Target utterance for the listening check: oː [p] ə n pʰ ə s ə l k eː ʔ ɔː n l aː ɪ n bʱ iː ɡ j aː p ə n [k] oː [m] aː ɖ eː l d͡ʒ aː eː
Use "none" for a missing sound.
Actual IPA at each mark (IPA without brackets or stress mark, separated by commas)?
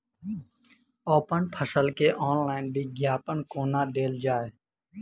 p, k, n